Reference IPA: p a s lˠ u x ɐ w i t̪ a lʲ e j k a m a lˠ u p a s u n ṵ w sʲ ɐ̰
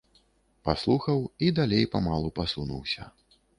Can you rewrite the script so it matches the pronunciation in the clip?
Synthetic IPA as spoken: p a s lˠ u x ɐ w i d̪ a lʲ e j p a m a lˠ u p a s u n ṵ w sʲ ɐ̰